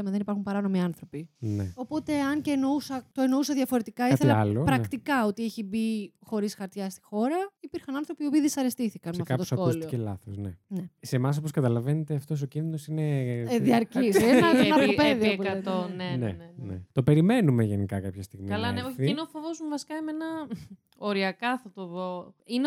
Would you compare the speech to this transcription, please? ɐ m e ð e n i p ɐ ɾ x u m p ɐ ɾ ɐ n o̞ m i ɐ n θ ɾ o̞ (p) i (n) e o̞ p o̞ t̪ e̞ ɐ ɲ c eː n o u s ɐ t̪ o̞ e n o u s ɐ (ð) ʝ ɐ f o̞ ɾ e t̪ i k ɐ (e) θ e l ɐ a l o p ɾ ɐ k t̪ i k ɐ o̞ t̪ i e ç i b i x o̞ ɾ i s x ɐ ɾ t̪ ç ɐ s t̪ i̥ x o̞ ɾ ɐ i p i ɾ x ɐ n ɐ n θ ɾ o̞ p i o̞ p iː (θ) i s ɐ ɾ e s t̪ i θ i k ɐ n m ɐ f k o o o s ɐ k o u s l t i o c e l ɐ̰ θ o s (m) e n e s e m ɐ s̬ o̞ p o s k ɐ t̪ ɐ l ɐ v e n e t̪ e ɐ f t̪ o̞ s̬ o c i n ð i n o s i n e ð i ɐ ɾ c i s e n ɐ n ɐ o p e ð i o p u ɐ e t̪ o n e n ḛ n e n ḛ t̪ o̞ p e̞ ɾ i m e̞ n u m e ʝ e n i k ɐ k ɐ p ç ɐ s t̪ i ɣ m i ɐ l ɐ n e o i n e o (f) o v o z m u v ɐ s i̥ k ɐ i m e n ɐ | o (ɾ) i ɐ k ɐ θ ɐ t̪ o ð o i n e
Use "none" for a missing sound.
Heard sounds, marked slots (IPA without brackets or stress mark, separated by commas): p, n, ð, i, ð, n, f, ɾ